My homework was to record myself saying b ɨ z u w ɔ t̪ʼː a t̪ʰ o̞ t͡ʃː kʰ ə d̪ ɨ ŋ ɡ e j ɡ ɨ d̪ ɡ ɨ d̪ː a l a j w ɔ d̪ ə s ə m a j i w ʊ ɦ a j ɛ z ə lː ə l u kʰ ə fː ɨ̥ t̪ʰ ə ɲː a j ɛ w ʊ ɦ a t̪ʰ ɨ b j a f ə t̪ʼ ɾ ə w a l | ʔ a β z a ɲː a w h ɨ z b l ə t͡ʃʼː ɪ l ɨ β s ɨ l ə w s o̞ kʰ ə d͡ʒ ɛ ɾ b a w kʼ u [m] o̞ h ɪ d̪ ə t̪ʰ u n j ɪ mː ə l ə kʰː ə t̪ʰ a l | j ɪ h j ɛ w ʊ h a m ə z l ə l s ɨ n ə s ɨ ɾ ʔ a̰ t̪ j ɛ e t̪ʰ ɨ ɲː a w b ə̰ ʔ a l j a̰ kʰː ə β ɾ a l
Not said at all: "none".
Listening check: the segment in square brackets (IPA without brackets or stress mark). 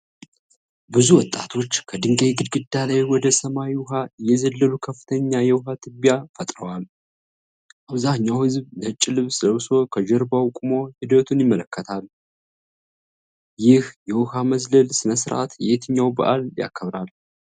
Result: m